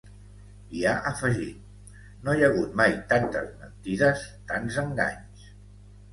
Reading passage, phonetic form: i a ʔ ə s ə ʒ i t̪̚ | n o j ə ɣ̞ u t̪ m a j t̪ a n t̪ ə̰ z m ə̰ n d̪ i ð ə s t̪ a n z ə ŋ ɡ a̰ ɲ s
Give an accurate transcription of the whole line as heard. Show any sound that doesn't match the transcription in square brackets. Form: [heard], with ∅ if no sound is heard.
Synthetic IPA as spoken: i a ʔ ə [f] ə ʒ i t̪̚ | n o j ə ɣ̞ u t̪ m a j t̪ a n t̪ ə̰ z m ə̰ n [t̪] i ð ə s t̪ a n z ə ŋ ɡ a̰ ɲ s